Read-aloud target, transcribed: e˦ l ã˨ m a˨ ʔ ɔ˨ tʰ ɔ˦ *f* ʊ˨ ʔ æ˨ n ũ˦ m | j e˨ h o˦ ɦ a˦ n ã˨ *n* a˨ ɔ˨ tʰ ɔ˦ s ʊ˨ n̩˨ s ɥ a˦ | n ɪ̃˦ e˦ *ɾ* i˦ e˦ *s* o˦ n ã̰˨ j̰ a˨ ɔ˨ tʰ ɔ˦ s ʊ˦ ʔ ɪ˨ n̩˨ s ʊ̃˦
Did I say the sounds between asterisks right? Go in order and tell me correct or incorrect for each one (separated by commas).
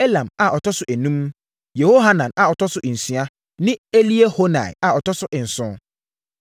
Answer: incorrect, correct, incorrect, incorrect